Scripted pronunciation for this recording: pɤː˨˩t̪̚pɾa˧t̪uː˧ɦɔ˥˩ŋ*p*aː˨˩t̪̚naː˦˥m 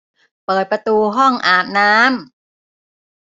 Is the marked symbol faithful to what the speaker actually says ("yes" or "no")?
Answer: no